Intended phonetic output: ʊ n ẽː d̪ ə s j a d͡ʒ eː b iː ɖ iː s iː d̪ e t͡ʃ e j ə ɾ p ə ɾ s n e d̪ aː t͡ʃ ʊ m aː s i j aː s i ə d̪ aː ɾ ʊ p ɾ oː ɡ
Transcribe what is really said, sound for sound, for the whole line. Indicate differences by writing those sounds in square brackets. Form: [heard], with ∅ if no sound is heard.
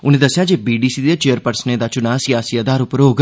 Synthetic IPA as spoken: ʊ n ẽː d̪ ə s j a d͡ʒ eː b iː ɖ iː s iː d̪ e t͡ʃ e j ə ɾ p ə ɾ s n e d̪ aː t͡ʃ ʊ [n] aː s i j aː s i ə d̪ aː ɾ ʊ p ɾ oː ɡ